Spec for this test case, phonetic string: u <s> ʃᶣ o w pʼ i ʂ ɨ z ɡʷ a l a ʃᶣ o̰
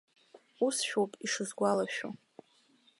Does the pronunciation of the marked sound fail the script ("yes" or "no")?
no